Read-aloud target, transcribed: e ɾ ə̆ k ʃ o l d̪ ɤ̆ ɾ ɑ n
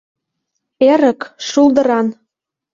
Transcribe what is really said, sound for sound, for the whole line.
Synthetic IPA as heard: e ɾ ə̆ k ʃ u l d̪ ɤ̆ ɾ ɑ n